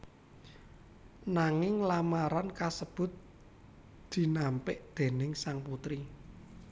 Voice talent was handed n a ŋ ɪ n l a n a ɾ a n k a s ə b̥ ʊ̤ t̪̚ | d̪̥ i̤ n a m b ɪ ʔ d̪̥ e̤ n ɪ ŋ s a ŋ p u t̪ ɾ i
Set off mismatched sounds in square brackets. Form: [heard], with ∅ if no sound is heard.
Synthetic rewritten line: n a ŋ ɪ [ŋ] l a [m] a ɾ a n k a s ə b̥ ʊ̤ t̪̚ | d̪̥ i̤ n a m [p] ɪ ʔ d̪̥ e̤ n ɪ ŋ s a ŋ p u t̪ ɾ i